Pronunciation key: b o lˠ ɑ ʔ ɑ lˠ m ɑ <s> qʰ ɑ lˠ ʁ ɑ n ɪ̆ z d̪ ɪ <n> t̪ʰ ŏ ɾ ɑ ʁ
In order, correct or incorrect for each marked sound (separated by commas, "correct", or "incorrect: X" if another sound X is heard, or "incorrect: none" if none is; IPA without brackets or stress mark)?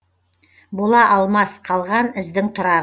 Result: correct, incorrect: ŋ